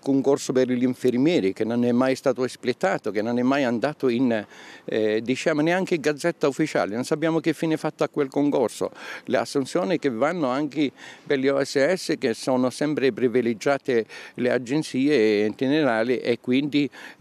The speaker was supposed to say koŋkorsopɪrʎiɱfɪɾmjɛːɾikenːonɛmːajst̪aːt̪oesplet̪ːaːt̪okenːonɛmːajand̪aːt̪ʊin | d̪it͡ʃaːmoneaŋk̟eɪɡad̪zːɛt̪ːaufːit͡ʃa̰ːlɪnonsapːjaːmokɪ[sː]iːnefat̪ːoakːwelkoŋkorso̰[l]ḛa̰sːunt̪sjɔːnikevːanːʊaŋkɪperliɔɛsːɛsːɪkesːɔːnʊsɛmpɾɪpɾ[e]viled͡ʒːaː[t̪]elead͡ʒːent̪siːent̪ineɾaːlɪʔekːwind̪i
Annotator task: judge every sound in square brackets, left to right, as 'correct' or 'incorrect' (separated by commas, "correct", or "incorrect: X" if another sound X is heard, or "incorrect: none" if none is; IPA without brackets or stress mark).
incorrect: fː, correct, incorrect: i, correct